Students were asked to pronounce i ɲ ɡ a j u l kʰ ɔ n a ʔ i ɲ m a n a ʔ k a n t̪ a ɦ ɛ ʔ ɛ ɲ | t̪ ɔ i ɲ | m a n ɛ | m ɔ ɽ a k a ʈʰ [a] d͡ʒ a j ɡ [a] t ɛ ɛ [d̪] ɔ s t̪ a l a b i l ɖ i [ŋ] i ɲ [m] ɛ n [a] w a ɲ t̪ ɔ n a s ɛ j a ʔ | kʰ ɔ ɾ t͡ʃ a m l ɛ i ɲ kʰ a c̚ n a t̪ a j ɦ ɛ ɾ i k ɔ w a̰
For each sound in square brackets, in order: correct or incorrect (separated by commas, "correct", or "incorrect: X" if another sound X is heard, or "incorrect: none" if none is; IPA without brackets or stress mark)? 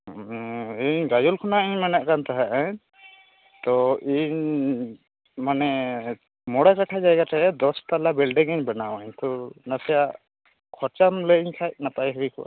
correct, correct, correct, correct, incorrect: b, correct